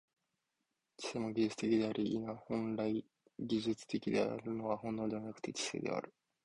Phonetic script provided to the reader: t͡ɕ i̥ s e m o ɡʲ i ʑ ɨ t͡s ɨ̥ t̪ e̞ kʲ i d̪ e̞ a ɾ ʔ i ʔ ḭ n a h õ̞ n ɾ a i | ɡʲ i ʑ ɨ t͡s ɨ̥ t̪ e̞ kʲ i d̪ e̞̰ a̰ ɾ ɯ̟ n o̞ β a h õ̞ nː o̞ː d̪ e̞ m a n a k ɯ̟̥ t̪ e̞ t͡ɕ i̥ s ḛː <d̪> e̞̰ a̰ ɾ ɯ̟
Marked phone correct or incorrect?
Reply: correct